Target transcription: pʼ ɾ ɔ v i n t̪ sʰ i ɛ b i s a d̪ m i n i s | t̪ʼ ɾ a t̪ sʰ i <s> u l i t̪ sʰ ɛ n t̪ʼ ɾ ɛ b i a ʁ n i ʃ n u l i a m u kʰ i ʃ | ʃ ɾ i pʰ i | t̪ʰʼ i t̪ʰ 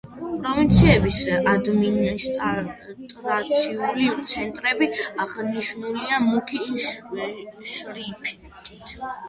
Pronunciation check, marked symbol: incorrect: none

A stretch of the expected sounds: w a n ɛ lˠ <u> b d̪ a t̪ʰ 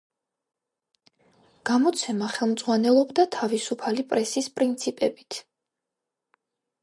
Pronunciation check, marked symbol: incorrect: ɔ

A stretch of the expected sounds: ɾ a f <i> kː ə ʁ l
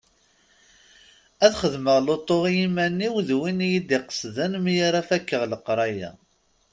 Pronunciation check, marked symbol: incorrect: æ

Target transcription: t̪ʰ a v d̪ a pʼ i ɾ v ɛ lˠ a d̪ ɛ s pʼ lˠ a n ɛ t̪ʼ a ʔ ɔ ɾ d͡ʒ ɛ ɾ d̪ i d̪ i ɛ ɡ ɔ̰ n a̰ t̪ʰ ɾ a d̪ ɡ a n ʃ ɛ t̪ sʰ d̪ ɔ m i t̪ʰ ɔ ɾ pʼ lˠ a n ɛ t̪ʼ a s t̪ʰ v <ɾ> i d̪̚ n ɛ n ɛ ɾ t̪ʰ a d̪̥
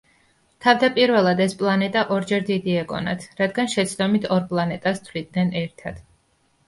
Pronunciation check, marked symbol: incorrect: l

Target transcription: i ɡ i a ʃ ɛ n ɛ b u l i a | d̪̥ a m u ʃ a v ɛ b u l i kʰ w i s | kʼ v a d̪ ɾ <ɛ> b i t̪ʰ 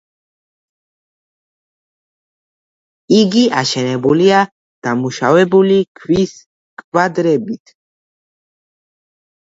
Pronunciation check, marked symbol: correct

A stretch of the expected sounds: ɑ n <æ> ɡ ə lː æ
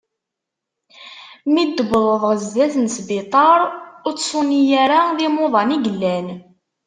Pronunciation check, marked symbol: incorrect: i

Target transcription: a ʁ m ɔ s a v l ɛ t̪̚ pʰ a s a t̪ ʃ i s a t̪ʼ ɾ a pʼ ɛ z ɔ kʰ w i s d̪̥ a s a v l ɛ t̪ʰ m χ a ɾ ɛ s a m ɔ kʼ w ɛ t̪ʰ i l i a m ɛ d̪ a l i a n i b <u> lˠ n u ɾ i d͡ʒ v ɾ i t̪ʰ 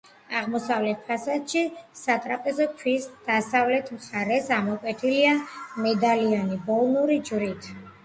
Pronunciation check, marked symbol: incorrect: ɔ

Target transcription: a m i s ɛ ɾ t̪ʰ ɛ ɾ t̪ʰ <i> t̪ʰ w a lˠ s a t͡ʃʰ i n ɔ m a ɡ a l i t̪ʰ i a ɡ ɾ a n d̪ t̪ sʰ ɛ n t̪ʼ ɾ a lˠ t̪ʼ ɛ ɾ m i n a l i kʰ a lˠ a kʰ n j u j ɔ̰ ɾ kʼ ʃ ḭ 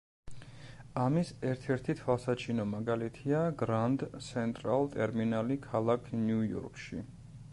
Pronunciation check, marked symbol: correct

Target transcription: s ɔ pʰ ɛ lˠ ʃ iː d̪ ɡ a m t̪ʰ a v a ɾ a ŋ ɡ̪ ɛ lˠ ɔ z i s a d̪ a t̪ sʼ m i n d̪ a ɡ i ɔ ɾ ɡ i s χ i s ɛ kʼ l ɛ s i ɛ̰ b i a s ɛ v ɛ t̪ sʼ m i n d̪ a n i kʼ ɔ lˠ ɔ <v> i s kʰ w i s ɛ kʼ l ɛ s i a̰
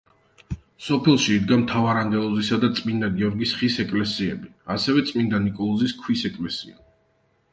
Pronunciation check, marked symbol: incorrect: z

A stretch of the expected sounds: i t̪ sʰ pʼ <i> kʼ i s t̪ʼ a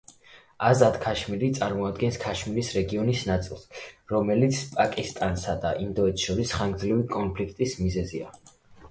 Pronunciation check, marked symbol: incorrect: a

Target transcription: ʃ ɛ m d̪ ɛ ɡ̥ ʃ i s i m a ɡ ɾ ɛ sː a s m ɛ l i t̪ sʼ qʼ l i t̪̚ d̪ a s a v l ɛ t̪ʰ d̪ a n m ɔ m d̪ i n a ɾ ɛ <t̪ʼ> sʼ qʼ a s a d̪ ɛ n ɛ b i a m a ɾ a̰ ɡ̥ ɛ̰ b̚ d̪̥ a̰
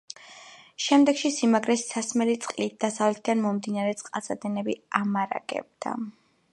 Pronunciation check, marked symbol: incorrect: t̪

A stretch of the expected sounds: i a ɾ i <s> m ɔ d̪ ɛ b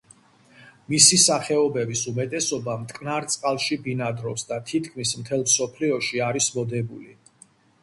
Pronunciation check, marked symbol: correct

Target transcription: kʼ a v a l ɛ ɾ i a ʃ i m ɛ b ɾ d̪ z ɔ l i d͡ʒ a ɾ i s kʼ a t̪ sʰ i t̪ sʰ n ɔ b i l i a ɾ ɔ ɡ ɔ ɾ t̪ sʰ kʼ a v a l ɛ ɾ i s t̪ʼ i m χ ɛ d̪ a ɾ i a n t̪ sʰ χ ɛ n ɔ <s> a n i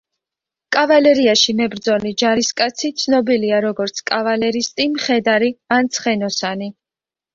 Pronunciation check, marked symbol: correct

